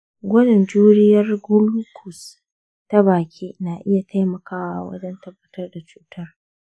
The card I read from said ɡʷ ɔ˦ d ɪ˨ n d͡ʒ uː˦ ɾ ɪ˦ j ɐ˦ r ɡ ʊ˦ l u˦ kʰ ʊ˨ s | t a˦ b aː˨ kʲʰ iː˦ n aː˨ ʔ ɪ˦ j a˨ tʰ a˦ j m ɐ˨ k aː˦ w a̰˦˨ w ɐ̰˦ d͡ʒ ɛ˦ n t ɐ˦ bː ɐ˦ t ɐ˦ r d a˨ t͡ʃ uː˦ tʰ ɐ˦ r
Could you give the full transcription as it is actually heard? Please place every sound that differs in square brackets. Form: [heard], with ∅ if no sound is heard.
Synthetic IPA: ɡʷ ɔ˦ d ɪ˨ n d͡ʒ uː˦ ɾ ɪ˦ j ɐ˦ r ɡ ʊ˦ l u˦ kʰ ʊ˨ s | t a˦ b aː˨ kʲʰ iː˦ n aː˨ ʔ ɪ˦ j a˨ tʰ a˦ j m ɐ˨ k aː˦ w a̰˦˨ w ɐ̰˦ d͡ʒ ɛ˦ n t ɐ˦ bː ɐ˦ t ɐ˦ r d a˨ t͡ʃ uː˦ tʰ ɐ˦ r